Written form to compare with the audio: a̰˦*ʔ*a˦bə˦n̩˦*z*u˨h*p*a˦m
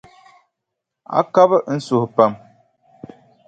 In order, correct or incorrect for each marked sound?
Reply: incorrect: k, incorrect: s, correct

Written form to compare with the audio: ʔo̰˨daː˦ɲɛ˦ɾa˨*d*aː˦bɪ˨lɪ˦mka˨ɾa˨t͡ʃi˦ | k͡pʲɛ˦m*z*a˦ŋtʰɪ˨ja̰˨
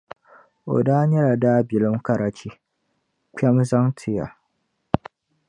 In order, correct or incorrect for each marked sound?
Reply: correct, correct

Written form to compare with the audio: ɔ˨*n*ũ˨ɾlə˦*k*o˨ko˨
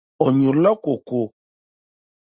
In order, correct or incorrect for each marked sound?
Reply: incorrect: ɲ, correct

